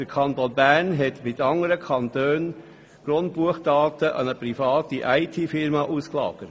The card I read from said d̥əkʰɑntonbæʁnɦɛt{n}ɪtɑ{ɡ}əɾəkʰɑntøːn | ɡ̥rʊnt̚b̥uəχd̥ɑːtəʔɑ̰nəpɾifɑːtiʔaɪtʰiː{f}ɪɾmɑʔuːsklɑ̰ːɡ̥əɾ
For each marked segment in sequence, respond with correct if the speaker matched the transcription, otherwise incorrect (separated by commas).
incorrect, incorrect, correct